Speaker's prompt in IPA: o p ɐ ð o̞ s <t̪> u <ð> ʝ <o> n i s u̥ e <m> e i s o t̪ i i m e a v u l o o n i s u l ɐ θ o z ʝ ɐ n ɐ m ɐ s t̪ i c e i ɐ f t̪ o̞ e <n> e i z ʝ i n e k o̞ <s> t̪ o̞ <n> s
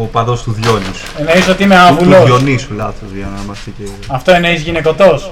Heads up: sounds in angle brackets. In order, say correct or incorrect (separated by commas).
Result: correct, correct, correct, incorrect, correct, incorrect, incorrect